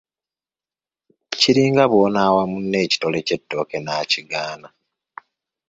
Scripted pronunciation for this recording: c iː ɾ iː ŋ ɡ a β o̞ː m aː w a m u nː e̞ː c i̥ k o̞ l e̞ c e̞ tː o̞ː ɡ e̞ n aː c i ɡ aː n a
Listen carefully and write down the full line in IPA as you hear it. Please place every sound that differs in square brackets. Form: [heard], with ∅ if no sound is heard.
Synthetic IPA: c [i] ɾ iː ŋ ɡ a β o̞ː [n] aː w a m u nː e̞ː c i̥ [t] o̞ l e̞ c e̞ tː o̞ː [k] e̞ n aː c i ɡ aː n a